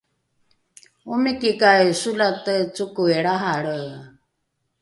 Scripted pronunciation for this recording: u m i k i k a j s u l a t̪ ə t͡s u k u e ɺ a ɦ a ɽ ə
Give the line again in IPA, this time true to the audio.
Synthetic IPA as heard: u m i k i k a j s u l a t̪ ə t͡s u k u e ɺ a ɦ a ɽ ə